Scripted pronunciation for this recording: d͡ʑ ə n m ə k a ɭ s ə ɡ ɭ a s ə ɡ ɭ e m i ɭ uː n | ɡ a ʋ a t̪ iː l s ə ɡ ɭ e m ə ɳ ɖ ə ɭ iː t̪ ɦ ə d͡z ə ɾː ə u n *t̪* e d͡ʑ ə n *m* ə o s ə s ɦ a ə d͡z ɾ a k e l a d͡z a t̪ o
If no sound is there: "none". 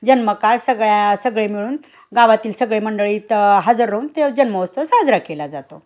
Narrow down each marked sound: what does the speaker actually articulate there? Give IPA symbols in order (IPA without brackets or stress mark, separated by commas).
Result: t̪, m